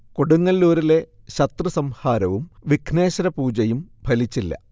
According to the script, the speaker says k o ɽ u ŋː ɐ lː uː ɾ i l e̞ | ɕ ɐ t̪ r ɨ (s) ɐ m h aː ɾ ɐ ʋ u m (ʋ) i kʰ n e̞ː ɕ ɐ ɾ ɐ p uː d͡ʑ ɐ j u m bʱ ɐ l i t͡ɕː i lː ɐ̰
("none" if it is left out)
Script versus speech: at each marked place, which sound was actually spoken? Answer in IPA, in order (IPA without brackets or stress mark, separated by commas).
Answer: s, ʋ